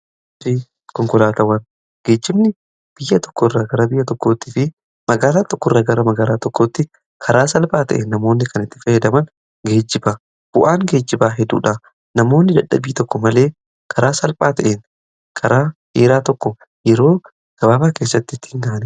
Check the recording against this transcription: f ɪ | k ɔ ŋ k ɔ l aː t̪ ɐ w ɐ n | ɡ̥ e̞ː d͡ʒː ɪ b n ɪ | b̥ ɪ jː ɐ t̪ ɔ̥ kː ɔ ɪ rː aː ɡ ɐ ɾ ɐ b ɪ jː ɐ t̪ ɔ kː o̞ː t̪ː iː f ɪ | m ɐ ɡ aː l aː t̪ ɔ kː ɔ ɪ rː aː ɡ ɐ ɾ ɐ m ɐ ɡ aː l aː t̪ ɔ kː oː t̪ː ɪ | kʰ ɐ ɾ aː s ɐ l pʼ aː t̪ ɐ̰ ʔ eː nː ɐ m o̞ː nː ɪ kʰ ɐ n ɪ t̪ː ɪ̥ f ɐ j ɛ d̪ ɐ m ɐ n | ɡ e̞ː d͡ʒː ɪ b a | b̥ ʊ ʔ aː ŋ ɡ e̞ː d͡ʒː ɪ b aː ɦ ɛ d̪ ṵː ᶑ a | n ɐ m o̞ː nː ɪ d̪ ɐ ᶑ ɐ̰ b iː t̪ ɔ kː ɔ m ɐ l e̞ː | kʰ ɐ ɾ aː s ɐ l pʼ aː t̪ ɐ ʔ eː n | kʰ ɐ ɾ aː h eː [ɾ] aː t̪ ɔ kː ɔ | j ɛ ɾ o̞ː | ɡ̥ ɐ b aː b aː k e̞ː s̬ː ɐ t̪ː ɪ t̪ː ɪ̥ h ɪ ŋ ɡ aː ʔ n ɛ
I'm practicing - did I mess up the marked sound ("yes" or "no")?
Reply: no